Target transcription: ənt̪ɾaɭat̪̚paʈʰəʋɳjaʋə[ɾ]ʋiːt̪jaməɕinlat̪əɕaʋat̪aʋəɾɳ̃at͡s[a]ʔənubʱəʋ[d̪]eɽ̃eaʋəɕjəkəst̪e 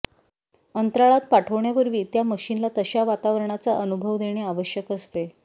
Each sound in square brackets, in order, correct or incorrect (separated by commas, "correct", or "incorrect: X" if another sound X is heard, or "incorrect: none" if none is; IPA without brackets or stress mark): correct, correct, correct